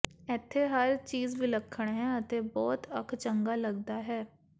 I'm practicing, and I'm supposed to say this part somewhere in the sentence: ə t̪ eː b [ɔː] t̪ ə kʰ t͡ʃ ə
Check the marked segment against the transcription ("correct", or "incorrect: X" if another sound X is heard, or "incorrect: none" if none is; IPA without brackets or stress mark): correct